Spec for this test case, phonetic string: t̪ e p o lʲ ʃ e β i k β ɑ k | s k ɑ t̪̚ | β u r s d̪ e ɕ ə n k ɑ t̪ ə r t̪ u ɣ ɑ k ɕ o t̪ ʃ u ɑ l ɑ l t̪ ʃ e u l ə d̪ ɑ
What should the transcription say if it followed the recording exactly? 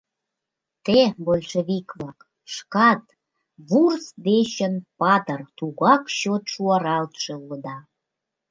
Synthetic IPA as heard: t̪ e b o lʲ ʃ e β i k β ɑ k | ʃ k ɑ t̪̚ | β u r s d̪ e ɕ ə n p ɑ t̪ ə r t̪ u ɣ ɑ k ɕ o t̪ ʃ u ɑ ɾ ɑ l t̪ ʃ e u l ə d̪ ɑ